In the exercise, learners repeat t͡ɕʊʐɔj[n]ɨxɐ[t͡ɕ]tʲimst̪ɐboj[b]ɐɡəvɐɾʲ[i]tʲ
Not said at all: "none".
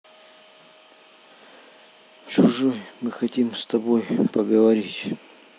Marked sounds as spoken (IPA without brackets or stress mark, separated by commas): m, none, p, i